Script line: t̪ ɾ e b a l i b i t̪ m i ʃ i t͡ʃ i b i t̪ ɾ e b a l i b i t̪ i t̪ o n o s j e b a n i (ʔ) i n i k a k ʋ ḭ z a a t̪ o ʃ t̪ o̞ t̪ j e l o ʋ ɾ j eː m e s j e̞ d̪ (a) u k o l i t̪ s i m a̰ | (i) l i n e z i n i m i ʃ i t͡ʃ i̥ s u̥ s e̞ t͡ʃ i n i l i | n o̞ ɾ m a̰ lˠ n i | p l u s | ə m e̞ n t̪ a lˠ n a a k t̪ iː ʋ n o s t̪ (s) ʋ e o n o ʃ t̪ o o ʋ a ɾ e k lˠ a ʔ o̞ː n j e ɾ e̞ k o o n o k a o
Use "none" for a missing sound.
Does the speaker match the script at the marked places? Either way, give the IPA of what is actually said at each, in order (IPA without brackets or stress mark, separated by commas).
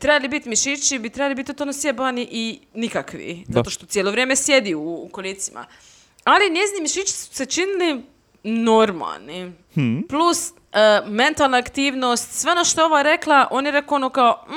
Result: ʔ, i, a, s